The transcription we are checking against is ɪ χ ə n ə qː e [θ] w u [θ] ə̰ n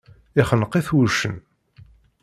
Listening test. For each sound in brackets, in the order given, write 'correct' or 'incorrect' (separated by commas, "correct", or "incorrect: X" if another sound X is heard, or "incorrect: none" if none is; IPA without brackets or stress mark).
correct, incorrect: ʃ